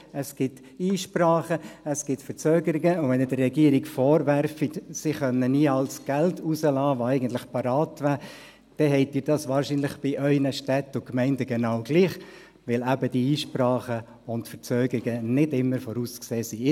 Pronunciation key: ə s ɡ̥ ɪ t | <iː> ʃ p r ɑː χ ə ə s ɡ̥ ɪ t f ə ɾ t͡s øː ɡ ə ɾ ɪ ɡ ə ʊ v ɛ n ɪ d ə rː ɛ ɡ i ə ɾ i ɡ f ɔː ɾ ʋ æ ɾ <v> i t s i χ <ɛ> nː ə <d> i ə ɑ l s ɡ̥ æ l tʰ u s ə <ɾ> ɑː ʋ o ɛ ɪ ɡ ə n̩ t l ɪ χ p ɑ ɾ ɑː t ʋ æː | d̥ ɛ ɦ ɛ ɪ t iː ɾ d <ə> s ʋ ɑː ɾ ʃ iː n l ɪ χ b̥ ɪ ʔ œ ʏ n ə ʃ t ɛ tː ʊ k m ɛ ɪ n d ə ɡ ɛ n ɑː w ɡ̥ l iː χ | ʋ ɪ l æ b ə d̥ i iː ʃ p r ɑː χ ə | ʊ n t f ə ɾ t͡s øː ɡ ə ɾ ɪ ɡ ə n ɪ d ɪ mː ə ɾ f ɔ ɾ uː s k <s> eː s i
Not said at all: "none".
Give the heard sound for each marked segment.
iː, f, œ, n, l, ɑ, s

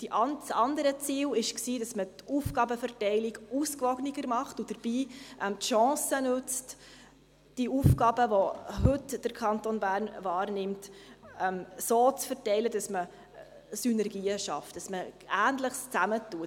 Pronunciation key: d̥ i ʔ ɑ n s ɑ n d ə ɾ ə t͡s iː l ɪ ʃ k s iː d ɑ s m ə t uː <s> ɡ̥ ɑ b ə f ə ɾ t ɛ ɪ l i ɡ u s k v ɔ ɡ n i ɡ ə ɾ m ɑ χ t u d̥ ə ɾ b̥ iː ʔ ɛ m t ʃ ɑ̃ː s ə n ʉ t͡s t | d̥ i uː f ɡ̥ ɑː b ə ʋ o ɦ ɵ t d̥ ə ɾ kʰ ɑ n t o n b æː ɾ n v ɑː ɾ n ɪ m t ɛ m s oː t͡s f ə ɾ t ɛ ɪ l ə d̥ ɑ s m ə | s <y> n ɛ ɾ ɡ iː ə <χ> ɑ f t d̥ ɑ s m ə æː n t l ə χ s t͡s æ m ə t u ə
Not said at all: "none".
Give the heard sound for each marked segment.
f, y, ʃ

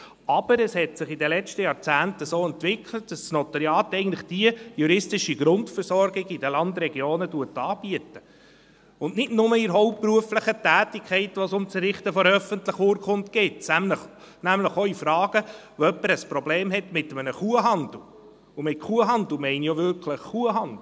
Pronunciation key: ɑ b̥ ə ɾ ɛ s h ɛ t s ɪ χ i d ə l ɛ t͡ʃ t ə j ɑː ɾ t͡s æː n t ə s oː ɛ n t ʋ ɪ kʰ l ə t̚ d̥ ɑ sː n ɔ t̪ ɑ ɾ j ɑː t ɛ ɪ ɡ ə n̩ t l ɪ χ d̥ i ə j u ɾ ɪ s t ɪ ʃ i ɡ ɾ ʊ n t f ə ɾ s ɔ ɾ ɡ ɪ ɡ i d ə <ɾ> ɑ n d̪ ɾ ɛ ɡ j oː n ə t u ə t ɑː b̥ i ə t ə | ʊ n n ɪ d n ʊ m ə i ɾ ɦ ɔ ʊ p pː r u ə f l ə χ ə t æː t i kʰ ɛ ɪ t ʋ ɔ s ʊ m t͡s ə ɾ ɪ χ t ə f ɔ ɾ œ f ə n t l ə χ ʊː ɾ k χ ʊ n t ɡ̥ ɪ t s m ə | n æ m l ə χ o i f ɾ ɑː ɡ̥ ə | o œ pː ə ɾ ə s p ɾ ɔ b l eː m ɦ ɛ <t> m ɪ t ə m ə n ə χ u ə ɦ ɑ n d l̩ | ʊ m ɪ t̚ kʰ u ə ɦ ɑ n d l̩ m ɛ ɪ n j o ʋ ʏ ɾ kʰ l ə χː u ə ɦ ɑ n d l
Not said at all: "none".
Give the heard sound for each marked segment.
l, t

